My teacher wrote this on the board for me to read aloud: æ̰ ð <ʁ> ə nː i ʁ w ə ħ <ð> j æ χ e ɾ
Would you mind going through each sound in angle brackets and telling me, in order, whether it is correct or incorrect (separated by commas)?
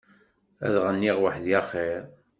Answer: correct, correct